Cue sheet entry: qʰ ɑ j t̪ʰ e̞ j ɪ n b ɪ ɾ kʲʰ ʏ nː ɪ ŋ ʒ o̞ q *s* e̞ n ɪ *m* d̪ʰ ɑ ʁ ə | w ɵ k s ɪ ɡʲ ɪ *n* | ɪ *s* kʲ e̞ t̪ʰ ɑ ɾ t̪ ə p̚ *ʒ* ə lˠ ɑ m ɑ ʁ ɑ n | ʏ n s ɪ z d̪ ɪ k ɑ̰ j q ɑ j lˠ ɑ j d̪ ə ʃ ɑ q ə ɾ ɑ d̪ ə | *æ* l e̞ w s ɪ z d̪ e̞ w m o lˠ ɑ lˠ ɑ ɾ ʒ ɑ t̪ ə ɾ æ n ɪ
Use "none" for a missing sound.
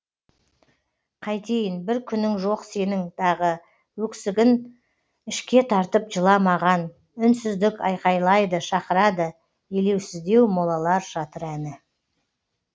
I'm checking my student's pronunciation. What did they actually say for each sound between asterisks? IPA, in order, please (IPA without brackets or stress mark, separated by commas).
s, ŋ, n, ʃ, ʒ, e